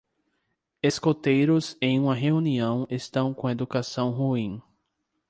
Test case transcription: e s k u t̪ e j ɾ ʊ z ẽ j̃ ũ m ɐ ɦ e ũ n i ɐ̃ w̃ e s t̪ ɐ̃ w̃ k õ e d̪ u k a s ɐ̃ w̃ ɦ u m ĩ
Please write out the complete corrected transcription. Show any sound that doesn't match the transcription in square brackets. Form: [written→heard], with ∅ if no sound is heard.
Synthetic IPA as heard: e s k [u→o] t̪ e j ɾ ʊ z ẽ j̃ ũ m ɐ ɦ e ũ n i ɐ̃ w̃ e s t̪ ɐ̃ w̃ k õ e d̪ u k a s ɐ̃ w̃ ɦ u [m→∅] ĩ